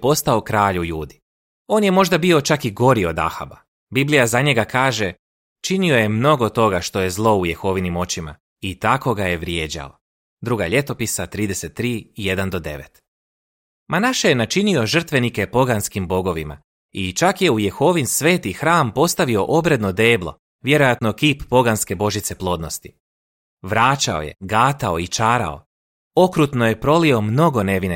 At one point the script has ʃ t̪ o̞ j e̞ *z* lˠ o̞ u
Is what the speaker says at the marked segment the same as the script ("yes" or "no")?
yes